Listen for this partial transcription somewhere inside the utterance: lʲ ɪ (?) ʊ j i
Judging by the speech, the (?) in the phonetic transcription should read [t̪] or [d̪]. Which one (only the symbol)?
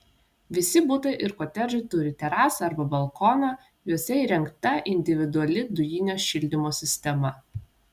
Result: d̪